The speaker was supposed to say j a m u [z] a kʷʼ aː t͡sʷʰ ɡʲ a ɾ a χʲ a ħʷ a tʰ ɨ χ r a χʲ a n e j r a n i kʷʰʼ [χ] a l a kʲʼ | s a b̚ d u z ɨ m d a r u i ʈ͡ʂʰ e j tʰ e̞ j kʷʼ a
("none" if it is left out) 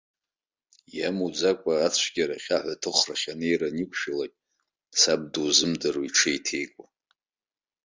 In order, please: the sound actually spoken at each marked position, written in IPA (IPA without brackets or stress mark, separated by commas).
d͡z, ʃ